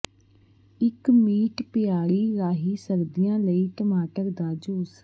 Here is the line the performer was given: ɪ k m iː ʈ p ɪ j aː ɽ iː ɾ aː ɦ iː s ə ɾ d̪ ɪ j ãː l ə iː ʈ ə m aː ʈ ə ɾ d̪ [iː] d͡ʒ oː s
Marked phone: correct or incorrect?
incorrect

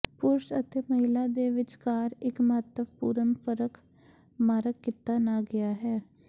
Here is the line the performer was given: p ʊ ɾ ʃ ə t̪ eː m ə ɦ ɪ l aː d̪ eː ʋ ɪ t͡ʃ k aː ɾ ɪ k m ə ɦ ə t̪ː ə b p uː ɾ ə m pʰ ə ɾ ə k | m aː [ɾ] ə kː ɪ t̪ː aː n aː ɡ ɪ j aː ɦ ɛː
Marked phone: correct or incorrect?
correct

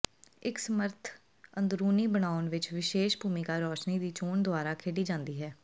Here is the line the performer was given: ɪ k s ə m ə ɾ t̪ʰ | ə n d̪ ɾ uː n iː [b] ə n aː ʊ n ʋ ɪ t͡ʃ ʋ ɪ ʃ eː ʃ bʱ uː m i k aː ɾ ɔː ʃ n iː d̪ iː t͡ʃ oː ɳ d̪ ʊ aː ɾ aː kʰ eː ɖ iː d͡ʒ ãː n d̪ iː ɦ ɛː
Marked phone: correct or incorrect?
correct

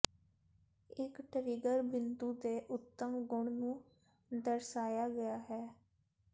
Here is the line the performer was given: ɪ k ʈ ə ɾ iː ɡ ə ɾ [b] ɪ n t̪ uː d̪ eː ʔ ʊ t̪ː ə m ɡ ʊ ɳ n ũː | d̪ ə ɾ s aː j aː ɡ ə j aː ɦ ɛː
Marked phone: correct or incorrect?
correct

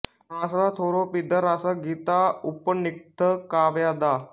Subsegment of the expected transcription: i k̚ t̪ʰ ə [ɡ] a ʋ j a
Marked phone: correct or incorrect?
incorrect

